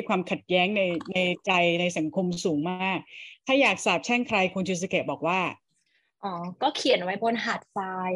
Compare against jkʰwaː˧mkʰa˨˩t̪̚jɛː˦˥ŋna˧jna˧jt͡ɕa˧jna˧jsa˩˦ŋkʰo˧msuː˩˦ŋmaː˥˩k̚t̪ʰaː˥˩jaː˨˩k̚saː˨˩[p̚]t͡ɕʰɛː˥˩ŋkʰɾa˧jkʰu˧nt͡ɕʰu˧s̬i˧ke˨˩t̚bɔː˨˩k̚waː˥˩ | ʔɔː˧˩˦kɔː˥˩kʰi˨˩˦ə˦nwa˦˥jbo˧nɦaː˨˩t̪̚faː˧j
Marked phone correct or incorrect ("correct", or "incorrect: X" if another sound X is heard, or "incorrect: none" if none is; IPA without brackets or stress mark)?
correct